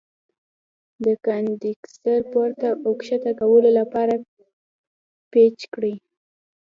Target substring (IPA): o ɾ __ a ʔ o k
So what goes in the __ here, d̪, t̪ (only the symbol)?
t̪